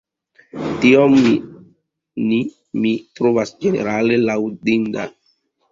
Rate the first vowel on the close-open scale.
close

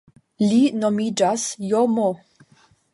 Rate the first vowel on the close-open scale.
close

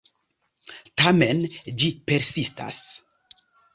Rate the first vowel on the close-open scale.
open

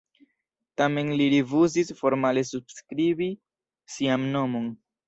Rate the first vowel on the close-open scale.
open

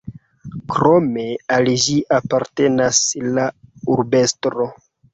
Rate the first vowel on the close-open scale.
mid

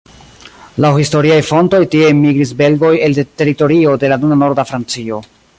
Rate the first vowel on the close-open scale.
open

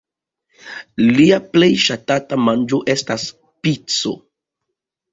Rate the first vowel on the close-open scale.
close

